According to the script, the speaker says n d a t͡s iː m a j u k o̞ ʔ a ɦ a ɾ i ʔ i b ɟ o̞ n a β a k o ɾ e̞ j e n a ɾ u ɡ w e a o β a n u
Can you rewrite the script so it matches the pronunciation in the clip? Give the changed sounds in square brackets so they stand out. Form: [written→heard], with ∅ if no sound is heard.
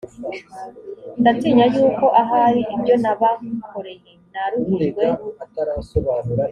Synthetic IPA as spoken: n d a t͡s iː [m→ɲ] a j [u→uː] k o̞ ʔ a ɦ a ɾ i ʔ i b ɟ o̞ n a β a k o ɾ e̞ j e n a ɾ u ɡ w e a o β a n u